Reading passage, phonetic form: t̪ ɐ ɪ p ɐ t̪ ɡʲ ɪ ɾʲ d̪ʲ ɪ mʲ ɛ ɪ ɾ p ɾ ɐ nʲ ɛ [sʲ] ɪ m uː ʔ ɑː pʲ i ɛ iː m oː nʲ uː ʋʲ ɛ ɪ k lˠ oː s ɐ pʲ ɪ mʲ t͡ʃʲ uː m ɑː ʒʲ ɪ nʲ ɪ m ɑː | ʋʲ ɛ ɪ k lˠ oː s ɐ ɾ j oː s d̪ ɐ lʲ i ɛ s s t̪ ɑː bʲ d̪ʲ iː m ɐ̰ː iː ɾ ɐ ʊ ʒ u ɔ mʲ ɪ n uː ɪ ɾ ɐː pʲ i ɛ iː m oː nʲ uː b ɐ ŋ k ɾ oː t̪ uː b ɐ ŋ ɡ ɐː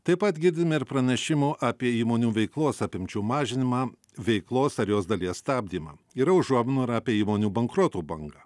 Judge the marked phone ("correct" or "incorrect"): incorrect